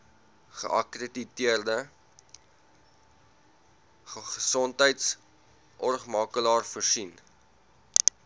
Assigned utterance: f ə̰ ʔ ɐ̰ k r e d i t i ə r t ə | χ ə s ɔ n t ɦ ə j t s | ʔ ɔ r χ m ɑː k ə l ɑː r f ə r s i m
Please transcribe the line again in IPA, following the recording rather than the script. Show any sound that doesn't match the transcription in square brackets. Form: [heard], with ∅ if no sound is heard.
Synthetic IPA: [χ] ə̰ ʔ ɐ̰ k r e d i t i ə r [d] ə | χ ə s ɔ n t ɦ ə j t s | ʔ ɔ r χ m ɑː k ə l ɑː r f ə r s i [n]